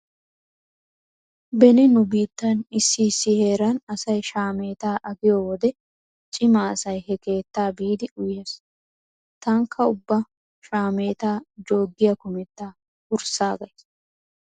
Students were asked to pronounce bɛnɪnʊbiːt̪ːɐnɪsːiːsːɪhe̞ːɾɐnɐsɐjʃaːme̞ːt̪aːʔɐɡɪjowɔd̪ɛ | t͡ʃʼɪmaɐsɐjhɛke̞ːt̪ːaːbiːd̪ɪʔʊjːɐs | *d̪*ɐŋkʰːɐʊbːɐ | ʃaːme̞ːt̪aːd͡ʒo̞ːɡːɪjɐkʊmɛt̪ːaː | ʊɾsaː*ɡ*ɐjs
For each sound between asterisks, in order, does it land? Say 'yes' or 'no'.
no, yes

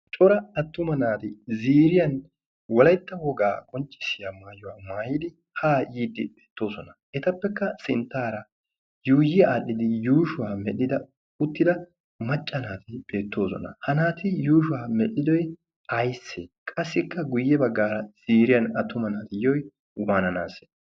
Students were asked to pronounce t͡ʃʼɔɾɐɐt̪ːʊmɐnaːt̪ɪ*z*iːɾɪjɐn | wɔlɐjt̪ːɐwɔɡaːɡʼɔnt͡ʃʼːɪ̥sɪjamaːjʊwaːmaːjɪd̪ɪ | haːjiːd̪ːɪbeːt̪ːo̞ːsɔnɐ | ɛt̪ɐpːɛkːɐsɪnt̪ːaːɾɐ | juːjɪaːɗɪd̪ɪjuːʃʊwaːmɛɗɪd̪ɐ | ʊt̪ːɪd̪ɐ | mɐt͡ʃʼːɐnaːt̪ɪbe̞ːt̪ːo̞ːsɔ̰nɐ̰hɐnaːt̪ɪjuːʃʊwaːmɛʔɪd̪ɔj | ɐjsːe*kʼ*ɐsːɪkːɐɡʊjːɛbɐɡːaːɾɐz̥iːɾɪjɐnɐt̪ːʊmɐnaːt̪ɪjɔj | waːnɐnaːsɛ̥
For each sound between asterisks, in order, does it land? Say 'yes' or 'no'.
yes, yes

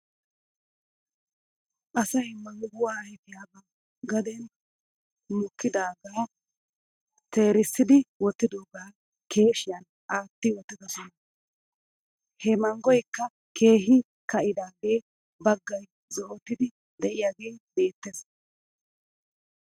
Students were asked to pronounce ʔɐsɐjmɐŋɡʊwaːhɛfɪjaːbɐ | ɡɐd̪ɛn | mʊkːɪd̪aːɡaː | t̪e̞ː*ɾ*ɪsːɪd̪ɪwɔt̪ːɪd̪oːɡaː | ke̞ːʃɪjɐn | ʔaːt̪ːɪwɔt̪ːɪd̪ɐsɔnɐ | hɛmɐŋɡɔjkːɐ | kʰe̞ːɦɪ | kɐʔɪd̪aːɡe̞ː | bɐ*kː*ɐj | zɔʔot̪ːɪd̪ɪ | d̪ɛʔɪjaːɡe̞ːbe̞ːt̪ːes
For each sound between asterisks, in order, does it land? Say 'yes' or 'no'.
yes, no

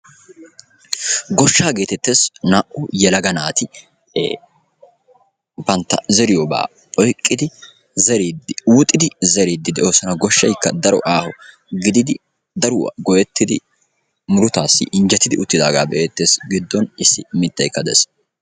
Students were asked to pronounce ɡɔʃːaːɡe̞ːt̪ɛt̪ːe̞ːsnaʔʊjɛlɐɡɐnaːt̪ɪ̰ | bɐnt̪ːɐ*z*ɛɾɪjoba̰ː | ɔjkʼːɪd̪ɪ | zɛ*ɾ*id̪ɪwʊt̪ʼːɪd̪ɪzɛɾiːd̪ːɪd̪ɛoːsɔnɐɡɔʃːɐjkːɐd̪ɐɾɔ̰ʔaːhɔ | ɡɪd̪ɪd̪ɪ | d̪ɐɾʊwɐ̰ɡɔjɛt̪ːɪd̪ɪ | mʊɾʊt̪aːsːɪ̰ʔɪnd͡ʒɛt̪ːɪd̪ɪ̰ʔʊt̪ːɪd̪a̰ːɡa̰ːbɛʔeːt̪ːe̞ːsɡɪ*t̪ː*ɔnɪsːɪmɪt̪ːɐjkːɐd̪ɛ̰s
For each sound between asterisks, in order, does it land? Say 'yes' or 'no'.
yes, yes, no

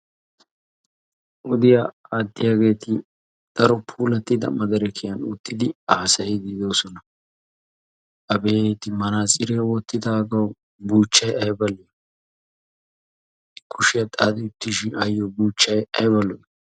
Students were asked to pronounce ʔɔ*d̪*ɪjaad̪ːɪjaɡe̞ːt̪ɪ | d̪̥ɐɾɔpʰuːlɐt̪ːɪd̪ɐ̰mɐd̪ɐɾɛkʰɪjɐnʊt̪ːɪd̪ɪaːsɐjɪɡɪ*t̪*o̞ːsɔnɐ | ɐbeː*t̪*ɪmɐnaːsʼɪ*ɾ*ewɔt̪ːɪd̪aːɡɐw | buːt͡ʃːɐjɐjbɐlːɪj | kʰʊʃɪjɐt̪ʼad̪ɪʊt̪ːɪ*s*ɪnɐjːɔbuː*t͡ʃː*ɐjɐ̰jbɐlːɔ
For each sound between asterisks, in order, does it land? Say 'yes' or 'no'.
yes, no, yes, yes, no, yes

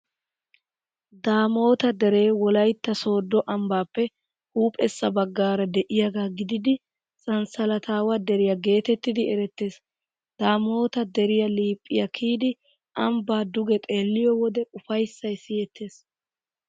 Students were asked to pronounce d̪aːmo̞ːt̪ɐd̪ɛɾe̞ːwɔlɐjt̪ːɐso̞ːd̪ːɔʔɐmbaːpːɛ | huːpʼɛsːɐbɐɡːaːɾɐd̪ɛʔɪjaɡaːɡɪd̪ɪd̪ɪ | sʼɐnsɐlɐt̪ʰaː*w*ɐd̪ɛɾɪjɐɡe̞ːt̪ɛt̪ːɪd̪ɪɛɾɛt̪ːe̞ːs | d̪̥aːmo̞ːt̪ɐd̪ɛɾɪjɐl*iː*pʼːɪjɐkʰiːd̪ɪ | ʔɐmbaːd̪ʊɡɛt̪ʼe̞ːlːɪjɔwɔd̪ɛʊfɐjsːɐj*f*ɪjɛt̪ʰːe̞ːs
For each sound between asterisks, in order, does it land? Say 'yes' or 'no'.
yes, yes, no

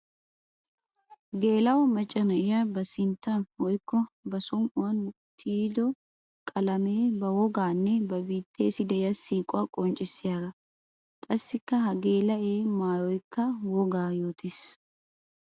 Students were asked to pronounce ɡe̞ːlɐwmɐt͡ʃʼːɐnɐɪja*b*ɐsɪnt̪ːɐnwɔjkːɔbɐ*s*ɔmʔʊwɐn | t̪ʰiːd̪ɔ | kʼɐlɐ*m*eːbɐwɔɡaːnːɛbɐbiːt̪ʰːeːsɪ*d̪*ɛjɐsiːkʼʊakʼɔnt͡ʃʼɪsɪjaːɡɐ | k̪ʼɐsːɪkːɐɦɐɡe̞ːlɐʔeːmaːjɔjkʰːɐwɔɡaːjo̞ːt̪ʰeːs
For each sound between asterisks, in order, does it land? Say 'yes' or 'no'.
yes, yes, yes, yes

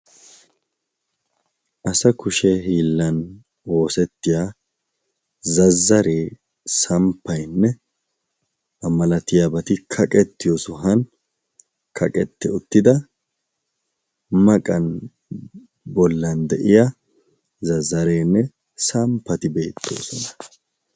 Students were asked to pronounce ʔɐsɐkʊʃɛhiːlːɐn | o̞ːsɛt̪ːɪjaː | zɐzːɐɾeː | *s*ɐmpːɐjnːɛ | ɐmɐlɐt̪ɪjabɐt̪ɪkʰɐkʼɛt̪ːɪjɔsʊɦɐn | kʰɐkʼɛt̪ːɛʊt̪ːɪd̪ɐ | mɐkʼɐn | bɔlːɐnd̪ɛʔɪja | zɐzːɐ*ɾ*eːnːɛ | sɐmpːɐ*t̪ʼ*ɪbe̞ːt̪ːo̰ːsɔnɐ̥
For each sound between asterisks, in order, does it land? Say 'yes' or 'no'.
yes, yes, no

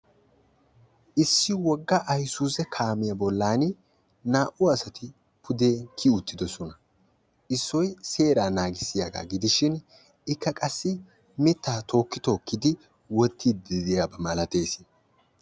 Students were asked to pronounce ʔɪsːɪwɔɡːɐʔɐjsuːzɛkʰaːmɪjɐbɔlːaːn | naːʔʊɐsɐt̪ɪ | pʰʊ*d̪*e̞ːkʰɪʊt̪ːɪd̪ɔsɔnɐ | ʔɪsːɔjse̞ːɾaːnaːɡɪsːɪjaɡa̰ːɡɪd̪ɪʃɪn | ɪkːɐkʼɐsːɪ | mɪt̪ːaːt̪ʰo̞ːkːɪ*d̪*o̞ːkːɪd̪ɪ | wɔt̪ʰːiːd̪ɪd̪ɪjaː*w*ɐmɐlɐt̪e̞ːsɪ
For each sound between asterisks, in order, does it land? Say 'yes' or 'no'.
yes, no, no

